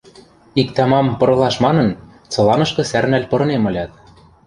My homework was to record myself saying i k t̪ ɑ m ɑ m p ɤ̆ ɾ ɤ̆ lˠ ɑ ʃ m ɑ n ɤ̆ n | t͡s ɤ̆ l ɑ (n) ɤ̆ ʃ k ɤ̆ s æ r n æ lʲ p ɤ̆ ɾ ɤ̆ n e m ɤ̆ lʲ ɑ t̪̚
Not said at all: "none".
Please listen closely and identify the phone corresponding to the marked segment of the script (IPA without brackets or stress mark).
n